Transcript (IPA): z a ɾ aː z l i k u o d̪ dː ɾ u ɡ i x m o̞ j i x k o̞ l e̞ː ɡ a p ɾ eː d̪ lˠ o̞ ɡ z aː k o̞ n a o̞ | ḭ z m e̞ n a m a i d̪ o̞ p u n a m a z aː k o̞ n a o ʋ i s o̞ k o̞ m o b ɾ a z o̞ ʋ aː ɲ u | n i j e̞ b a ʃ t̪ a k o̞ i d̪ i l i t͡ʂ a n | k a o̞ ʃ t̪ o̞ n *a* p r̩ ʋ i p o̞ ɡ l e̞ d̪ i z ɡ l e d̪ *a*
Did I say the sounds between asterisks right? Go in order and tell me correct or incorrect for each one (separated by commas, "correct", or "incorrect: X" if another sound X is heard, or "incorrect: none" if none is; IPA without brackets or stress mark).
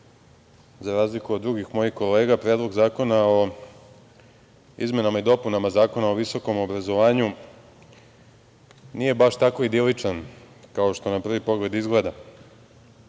correct, correct